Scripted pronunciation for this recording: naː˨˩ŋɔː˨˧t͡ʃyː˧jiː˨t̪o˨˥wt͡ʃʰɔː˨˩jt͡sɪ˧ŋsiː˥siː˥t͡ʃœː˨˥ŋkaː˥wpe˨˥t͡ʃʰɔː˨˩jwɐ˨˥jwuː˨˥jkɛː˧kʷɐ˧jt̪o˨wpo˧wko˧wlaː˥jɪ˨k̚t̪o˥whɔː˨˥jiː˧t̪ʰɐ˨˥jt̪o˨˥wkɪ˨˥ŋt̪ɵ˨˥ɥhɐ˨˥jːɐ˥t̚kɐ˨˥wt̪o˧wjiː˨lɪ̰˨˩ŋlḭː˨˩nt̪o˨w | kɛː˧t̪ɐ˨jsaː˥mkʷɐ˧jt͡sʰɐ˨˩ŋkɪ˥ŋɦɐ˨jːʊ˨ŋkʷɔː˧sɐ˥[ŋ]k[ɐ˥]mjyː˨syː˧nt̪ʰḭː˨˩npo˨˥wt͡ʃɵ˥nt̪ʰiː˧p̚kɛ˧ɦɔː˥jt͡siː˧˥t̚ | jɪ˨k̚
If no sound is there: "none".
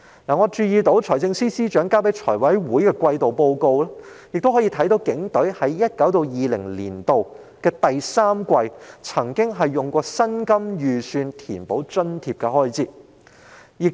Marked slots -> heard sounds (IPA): n, ɐ˥

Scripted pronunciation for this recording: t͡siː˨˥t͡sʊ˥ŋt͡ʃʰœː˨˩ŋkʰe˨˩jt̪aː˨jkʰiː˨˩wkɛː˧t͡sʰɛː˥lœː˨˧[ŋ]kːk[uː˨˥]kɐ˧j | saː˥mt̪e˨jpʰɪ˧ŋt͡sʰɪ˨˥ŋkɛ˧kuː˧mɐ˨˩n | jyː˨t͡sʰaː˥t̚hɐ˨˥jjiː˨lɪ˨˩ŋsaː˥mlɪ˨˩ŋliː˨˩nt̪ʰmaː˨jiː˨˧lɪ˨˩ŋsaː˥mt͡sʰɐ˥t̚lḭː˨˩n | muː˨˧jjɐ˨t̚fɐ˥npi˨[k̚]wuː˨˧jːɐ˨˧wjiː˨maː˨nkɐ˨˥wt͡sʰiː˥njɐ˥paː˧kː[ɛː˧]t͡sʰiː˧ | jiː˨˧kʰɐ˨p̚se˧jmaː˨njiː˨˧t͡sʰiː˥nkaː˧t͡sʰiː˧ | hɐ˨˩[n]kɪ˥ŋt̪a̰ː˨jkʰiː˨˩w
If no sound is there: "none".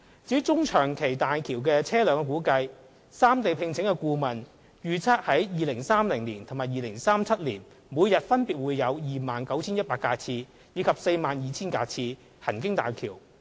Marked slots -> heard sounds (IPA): ŋ, uː˨˥, t̚, aː˧, n

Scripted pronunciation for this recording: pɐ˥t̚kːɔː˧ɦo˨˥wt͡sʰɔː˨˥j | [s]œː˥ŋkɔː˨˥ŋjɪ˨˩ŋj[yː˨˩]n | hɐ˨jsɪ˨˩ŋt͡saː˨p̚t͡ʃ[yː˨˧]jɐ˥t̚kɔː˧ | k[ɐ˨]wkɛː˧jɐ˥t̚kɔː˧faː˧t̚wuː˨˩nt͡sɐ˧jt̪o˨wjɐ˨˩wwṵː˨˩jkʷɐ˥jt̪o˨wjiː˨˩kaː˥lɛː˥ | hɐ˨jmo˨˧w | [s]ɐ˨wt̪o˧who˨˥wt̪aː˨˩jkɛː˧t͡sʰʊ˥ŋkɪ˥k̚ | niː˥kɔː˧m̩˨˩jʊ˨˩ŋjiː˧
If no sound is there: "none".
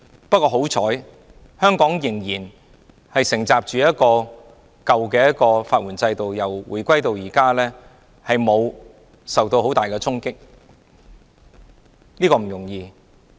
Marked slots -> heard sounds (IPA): h, iː˨˩, yː˨˧, ɐ˨, s

